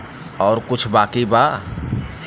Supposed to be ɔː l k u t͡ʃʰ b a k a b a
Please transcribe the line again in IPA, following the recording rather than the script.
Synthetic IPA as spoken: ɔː ɾ k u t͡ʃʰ b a k i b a